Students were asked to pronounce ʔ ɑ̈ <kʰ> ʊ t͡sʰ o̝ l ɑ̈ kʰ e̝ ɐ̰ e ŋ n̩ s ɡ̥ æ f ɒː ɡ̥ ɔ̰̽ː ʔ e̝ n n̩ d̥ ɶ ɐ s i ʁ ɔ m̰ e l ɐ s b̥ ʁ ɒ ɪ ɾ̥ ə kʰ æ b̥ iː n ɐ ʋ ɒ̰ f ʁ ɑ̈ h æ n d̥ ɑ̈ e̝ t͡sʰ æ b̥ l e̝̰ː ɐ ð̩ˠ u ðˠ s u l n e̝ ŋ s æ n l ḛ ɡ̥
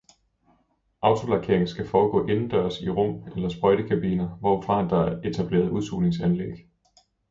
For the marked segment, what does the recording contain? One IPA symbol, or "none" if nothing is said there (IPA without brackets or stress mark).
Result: none